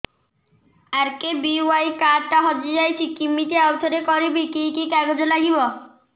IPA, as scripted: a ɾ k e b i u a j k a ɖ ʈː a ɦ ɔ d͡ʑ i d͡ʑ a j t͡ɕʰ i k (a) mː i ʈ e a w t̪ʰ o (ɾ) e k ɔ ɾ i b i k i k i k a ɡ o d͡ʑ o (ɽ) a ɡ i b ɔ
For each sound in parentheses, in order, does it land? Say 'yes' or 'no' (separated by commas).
no, yes, no